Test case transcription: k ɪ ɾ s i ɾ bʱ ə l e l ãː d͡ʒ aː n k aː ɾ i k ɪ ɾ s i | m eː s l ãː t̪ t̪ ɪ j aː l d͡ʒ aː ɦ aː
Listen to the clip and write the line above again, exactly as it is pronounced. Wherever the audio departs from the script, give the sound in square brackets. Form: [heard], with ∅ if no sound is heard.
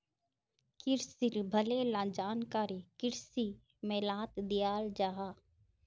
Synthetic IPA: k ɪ ɾ s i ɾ bʱ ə l e l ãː d͡ʒ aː n k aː ɾ i k ɪ ɾ s i | m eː [∅] l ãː t̪ [d̪] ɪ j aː l d͡ʒ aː ɦ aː